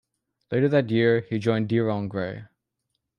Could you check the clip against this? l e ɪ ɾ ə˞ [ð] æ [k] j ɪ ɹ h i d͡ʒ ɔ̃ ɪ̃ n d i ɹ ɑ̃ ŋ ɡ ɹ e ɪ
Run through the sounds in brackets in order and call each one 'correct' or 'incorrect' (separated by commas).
correct, incorrect